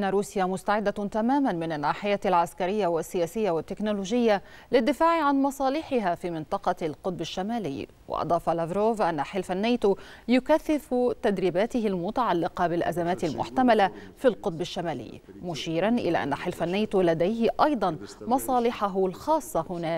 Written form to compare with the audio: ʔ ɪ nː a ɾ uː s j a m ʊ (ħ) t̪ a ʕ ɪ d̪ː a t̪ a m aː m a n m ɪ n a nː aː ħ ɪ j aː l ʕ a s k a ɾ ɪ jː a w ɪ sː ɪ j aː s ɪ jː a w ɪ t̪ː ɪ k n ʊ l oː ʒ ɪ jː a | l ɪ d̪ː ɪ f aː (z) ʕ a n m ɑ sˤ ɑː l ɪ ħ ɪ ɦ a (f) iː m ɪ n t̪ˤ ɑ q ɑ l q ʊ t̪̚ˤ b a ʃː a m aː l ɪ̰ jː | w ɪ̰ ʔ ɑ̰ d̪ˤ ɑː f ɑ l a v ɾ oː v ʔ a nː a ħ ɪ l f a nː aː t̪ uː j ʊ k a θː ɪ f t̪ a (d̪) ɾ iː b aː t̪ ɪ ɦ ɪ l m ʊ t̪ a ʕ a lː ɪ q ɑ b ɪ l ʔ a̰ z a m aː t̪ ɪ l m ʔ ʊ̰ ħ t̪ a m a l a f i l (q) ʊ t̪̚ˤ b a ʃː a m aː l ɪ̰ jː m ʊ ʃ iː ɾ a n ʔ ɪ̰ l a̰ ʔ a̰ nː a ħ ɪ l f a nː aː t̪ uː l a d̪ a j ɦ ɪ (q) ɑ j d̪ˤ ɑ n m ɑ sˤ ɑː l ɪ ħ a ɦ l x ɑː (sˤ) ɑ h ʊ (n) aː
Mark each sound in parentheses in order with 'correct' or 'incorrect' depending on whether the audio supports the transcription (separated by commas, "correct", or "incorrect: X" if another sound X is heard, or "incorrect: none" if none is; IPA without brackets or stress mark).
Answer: incorrect: s, incorrect: ʕ, correct, correct, correct, incorrect: ʔ, incorrect: sˤː, correct